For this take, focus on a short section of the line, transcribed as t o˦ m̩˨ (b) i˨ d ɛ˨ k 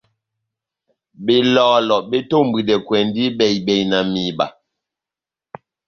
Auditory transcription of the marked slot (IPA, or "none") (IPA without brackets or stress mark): b